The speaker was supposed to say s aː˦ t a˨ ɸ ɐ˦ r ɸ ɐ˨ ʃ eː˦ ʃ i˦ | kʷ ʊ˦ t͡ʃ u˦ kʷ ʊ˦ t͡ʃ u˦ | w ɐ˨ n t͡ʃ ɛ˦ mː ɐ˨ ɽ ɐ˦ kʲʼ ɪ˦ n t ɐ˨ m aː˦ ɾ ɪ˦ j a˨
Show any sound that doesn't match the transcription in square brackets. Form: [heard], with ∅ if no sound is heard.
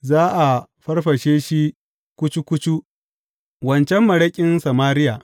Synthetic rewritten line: [z] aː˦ [ʔ] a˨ ɸ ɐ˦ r ɸ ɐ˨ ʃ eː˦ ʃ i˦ | kʷ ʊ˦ t͡ʃ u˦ kʷ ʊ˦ t͡ʃ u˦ | w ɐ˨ n t͡ʃ ɛ˦ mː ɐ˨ ɽ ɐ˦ kʲʼ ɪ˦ n [s] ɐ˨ m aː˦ ɾ ɪ˦ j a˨